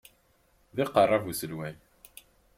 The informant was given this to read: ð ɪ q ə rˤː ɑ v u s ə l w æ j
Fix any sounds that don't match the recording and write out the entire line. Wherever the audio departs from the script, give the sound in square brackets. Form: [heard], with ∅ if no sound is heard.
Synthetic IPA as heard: ð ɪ q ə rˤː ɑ v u s ə l w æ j